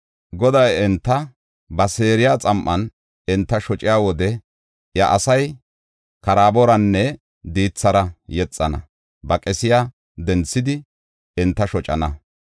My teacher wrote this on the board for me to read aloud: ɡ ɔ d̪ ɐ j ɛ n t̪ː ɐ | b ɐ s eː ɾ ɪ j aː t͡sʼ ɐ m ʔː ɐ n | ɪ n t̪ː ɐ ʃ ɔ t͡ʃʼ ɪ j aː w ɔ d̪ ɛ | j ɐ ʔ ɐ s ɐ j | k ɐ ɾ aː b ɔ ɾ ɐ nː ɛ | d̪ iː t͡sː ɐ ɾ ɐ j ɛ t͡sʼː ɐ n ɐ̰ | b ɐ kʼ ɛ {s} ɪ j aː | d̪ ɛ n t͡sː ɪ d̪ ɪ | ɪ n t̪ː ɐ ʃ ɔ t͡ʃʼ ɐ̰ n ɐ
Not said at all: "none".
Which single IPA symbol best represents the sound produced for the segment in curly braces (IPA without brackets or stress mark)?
s